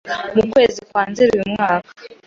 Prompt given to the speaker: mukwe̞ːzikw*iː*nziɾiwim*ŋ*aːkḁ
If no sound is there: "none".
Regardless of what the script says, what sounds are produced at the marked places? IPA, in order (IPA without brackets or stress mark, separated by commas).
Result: aː, ŋ